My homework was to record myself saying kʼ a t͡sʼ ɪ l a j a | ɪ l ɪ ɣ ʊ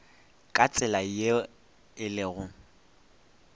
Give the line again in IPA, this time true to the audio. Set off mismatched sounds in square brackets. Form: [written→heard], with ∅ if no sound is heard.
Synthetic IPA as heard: kʼ a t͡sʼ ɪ l a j [a→e] | ɪ l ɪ ɣ ʊ